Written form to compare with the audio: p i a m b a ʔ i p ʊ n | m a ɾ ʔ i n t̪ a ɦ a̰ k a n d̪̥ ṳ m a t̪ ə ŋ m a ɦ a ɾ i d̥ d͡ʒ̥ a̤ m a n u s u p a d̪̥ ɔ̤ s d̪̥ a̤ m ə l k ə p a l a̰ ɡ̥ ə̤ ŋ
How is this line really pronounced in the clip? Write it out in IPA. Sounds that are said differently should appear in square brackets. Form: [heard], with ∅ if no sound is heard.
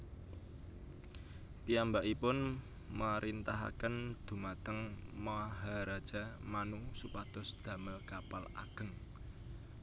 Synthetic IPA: p i a m b a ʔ i p ʊ n | m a ɾ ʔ i n t̪ a ɦ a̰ k [ə] n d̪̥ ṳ m a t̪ ə ŋ m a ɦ a ɾ [a] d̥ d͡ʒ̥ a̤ m a n u s u p a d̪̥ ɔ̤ s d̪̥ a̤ m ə l k [a] p a l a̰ ɡ̥ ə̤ ŋ